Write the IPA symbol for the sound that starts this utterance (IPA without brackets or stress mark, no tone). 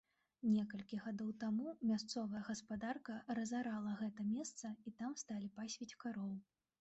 nʲ